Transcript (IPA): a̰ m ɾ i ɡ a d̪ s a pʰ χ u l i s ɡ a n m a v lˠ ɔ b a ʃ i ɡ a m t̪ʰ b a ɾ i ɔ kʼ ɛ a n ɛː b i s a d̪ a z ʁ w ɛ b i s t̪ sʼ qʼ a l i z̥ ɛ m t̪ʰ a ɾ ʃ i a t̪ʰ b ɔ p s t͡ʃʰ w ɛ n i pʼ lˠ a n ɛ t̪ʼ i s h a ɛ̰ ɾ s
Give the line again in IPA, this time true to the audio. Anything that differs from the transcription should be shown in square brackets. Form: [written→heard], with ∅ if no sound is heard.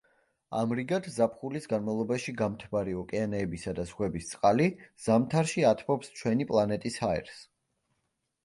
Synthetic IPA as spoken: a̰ m ɾ i ɡ a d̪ [s→z] a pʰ χ u l i s ɡ a n m a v lˠ ɔ b a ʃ i ɡ a m t̪ʰ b a ɾ i ɔ kʼ ɛ a n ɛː b i s a d̪ a z ʁ w ɛ b i s t̪ sʼ qʼ a l i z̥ [ɛ→a] m t̪ʰ a ɾ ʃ i a t̪ʰ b ɔ p s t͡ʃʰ w ɛ n i pʼ lˠ a n ɛ t̪ʼ i s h a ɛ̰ ɾ s